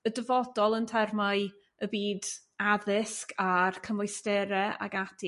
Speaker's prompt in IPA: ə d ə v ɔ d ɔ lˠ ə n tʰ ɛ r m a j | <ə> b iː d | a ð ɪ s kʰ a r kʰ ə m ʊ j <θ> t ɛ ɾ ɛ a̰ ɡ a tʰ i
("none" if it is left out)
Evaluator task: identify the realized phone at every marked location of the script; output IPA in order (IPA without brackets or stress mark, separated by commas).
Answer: ə, s